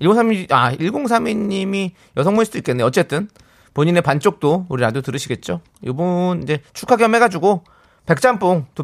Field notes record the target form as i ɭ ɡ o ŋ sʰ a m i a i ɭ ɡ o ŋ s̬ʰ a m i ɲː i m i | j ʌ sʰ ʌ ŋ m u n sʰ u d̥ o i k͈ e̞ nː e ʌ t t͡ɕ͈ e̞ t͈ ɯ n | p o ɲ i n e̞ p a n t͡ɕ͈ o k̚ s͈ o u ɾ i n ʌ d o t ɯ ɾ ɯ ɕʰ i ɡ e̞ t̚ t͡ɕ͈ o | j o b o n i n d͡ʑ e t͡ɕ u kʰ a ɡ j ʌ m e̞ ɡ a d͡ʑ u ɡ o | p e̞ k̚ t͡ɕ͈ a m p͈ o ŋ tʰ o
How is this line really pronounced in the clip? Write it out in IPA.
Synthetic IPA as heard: i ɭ ɡ o ŋ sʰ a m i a i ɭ ɡ o ŋ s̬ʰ a m i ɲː i m i | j ʌ sʰ ʌ ŋ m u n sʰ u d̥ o i k͈ e̞ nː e ʌ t t͡ɕ͈ e̞ t͈ ɯ n | p o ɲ i n e̞ p a n t͡ɕ͈ o k̚ t͈ o u ɾ i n a d o t ɯ ɾ ɯ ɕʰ i ɡ e̞ t̚ t͡ɕ͈ o | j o b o n i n d͡ʑ e t͡ɕʰ u kʰ a ɡ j ʌ m e̞ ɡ a d͡ʑ u ɡ o | p e̞ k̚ t͡ɕ͈ a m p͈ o ŋ t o